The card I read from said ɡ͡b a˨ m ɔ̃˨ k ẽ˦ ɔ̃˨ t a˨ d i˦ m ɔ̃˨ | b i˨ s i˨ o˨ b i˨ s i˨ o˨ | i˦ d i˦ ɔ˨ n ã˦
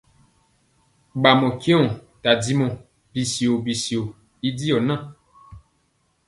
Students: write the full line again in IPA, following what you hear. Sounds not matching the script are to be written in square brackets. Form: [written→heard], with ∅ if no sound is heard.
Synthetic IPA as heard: ɡ͡b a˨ m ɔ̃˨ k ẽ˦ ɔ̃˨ t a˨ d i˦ m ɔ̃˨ | b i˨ s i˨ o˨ b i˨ s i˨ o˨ | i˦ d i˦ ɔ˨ n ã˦